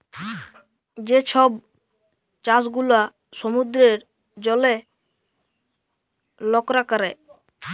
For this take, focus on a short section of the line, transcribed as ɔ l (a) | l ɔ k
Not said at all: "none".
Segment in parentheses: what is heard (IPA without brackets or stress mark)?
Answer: e